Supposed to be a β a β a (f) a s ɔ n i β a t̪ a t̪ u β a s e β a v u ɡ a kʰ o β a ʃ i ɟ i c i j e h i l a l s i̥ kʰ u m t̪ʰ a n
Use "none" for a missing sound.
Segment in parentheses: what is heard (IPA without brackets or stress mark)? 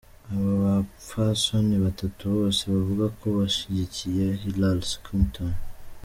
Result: f